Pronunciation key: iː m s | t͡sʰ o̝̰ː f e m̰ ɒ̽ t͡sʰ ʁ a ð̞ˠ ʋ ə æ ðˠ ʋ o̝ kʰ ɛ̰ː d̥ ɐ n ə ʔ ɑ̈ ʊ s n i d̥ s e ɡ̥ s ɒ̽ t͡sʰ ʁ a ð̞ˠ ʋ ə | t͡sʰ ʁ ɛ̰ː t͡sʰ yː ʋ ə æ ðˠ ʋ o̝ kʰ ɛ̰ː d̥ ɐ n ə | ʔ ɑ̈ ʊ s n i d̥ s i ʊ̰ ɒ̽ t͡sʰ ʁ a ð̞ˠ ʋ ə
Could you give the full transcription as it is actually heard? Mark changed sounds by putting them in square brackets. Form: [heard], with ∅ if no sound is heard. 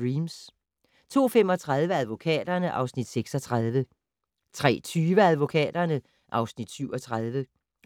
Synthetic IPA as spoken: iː m s | t͡sʰ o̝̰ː f e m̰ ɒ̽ t͡sʰ ʁ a ð̞ˠ ʋ ə æ ðˠ ʋ o̝ kʰ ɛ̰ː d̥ ɐ n ə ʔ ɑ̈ ʊ s n i d̥ s e ɡ̥ s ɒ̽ t͡sʰ ʁ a ð̞ˠ ʋ ə | t͡sʰ ʁ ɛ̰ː t͡sʰ yː ʋ ə æ ðˠ ʋ o̝ kʰ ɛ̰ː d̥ ɐ n ə | ʔ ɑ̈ ʊ s n i d̥ s [y] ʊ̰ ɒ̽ t͡sʰ ʁ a ð̞ˠ ʋ ə